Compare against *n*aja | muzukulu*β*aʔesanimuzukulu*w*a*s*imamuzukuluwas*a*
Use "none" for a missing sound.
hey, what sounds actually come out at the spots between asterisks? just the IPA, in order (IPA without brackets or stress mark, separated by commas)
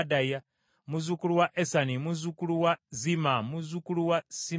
d, w, w, z, i